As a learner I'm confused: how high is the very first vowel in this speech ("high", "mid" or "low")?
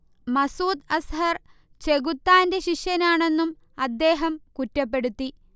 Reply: low